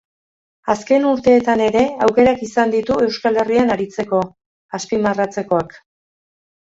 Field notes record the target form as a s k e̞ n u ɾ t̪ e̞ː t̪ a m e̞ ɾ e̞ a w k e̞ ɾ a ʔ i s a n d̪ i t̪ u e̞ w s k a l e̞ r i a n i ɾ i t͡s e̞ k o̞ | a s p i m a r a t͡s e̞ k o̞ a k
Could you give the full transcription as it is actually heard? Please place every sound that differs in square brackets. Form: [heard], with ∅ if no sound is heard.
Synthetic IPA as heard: a s k e̞ n u ɾ t̪ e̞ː t̪ a [n] e̞ ɾ e̞ a w k e̞ ɾ a [k] i s a n d̪ i t̪ u e̞ w s k a l e̞ r i a n [a] ɾ i t͡s e̞ k o̞ | a s p i m a r a t͡s e̞ k o̞ a k